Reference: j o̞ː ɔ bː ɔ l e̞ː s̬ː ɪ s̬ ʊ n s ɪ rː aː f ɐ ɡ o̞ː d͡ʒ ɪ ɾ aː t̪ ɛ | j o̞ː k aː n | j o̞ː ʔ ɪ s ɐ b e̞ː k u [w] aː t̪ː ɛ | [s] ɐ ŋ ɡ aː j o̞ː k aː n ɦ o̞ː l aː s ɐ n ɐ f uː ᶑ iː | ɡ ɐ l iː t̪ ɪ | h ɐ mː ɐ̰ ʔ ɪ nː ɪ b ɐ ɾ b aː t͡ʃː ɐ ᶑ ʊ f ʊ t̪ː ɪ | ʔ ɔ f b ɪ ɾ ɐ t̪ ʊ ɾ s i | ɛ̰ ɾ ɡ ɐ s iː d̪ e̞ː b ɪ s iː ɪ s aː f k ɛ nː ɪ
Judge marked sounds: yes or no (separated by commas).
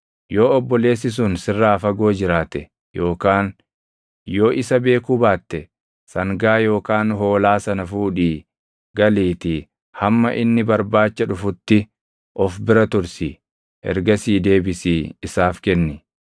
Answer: no, yes